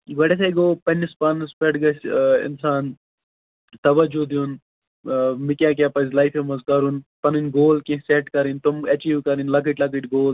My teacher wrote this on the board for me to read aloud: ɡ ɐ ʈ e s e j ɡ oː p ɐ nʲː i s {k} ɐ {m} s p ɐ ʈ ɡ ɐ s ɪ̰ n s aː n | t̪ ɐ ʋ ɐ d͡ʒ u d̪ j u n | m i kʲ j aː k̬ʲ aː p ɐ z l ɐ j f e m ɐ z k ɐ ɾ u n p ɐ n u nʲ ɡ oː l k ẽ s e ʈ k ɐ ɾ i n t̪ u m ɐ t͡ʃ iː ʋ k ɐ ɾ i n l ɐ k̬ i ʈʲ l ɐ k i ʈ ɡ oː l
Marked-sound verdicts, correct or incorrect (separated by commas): incorrect, incorrect